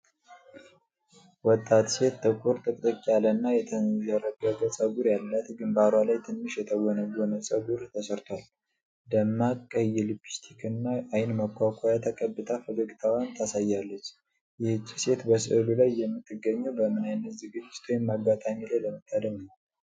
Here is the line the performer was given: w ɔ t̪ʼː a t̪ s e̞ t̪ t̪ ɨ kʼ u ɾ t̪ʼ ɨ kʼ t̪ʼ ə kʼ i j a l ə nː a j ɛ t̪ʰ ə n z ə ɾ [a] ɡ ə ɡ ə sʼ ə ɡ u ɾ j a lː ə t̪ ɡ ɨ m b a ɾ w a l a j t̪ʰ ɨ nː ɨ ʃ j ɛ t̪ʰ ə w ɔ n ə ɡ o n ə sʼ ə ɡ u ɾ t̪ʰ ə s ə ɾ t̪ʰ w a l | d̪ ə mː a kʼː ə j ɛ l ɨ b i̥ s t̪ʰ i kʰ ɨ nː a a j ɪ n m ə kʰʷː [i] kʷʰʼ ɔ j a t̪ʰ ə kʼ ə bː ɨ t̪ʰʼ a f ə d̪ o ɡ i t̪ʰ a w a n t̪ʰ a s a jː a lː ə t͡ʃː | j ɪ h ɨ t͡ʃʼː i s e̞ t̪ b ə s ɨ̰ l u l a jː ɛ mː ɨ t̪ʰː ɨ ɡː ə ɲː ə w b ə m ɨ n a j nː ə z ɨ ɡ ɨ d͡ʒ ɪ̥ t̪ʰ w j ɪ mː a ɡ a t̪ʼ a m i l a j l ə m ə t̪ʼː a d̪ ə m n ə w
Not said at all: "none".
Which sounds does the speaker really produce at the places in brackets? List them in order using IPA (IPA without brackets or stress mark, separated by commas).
ə, a